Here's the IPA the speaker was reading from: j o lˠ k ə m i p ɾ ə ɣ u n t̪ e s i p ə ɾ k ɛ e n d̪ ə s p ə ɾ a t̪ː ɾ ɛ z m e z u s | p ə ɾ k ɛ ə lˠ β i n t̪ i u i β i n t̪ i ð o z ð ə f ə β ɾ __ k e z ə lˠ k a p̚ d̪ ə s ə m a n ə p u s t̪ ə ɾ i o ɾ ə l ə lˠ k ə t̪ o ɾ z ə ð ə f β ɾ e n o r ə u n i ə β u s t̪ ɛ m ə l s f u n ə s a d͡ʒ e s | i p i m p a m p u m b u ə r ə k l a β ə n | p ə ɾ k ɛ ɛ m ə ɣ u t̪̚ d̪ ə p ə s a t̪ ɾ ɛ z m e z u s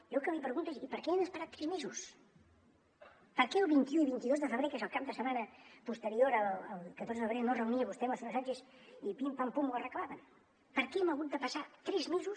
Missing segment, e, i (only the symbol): e